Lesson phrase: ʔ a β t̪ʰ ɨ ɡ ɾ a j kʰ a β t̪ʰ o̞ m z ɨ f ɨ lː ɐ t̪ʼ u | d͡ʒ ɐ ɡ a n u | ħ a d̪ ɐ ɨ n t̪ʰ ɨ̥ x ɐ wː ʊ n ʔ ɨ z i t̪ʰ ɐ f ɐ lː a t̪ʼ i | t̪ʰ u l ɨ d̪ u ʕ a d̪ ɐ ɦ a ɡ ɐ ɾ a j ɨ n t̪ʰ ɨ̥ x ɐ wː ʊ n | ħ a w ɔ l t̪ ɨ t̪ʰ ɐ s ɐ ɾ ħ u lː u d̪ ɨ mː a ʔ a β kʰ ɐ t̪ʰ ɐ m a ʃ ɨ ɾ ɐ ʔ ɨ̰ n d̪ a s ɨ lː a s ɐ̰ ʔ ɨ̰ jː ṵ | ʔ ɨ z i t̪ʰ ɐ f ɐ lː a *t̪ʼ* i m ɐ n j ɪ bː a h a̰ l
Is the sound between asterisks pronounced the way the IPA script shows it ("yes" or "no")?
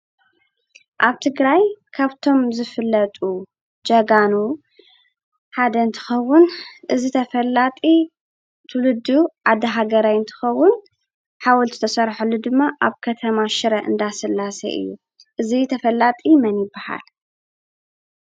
yes